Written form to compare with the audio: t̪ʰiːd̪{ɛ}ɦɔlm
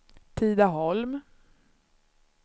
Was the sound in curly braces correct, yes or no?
no